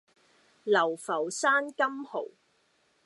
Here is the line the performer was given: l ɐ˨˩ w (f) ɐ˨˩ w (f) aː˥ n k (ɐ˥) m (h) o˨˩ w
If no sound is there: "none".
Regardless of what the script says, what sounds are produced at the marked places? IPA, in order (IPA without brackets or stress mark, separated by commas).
f, s, ɐ˥, h